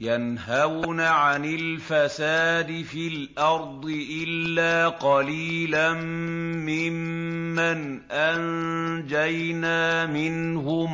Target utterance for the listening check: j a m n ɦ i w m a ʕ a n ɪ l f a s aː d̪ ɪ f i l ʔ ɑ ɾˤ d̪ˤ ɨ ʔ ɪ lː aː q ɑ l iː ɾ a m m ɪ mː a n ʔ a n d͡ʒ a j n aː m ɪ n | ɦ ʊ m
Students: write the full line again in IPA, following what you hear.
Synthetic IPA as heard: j a n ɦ a w n a ʕ a n ɪ l f a s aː d̪ ɪ f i l ʔ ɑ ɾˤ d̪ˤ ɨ ʔ ɪ lː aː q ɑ l iː l a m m ɪ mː a n ʔ a n d͡ʒ a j n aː m ɪ n | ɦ ʊ m